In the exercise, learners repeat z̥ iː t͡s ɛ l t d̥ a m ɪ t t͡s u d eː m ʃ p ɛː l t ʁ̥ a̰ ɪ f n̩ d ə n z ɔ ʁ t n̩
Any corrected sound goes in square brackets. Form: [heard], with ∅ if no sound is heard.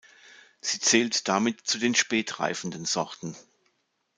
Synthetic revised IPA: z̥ iː t͡s [ɛː] l t d̥ a m ɪ t t͡s u d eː [n] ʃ p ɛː [∅] t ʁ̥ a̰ ɪ f n̩ d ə n z ɔ ʁ t n̩